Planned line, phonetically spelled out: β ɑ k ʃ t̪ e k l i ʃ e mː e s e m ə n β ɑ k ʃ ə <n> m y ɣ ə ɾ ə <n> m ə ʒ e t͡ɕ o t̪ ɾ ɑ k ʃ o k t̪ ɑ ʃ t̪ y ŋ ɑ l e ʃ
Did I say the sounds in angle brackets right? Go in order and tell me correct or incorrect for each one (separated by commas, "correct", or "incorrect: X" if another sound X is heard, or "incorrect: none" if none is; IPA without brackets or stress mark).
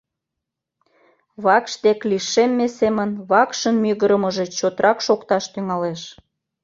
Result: correct, incorrect: none